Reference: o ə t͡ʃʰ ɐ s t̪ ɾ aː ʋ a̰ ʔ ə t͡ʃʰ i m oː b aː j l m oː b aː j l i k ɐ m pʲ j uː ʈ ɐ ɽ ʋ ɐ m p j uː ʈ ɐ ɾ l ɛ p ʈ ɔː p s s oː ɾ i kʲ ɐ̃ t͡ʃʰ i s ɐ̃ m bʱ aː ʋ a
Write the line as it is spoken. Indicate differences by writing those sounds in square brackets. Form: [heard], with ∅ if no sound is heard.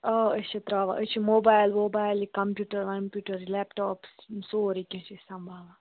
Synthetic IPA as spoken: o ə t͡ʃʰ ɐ [∅] t̪ ɾ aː ʋ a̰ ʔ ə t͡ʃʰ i m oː b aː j l m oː b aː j l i k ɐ m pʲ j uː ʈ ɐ [ɾ] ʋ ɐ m p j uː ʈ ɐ ɾ l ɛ p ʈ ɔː p s s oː ɾ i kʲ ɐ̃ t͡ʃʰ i s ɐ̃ m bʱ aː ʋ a